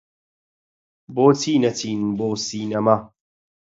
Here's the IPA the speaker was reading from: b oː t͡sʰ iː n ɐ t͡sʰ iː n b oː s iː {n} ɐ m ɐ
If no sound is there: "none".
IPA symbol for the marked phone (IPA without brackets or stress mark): n